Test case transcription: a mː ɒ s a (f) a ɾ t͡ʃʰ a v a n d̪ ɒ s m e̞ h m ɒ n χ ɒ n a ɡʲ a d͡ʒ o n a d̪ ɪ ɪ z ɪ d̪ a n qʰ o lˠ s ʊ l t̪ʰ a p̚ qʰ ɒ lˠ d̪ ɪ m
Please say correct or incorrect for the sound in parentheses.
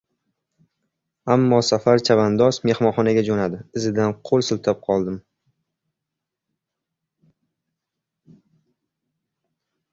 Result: correct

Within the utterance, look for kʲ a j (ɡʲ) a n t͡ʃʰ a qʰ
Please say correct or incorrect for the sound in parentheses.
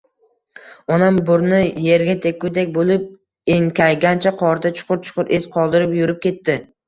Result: correct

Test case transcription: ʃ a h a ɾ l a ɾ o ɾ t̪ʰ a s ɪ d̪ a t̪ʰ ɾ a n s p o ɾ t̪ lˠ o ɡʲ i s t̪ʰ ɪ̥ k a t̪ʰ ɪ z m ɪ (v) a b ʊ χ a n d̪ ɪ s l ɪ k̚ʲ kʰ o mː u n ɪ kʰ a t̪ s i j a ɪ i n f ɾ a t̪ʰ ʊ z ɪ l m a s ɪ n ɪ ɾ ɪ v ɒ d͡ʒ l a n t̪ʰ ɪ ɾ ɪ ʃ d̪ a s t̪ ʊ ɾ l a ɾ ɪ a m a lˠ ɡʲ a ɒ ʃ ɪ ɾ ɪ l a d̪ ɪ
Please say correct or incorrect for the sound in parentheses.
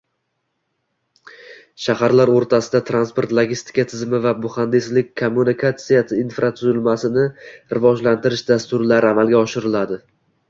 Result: correct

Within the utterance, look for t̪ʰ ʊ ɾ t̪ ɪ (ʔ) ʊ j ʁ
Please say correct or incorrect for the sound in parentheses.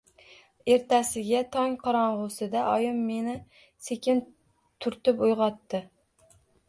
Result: incorrect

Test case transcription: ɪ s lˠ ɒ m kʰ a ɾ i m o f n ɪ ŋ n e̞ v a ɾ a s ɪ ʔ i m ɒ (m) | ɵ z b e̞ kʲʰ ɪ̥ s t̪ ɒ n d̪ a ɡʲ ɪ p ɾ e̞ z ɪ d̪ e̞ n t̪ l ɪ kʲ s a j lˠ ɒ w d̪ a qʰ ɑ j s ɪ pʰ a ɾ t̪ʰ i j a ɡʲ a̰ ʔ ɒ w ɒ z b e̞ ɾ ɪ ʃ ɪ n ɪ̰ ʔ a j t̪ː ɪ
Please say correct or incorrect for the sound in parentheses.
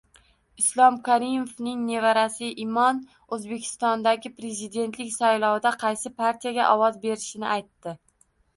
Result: incorrect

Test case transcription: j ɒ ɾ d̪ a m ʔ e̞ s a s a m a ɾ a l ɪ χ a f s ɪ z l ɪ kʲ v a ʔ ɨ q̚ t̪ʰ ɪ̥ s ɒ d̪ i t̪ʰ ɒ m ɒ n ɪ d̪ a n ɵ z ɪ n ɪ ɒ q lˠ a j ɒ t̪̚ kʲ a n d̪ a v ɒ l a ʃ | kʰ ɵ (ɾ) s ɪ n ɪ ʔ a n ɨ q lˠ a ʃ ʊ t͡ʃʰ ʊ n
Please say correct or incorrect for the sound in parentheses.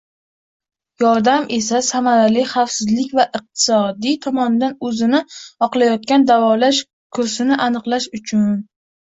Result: correct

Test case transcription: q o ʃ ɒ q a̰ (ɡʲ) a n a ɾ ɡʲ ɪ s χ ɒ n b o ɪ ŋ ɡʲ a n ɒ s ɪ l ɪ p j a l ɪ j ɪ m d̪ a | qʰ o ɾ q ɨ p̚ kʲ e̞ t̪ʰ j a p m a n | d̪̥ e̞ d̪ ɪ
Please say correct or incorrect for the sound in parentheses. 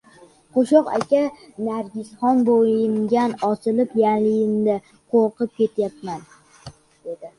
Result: incorrect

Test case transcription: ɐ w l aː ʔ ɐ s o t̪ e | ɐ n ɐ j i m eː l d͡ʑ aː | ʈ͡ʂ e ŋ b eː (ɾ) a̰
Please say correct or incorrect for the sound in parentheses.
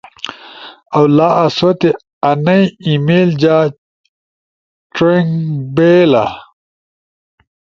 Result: incorrect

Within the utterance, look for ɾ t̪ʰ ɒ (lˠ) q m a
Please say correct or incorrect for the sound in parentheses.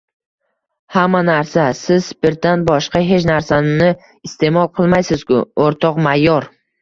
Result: incorrect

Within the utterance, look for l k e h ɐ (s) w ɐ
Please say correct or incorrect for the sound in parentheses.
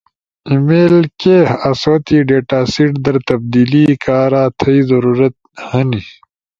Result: correct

